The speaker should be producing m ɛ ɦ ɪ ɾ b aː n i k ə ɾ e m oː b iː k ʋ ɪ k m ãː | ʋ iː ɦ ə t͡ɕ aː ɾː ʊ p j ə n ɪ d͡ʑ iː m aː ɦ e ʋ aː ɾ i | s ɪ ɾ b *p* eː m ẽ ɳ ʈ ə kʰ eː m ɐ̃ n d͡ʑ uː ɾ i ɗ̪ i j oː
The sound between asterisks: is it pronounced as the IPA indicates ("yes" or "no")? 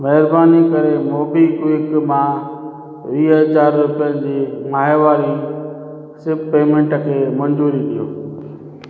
yes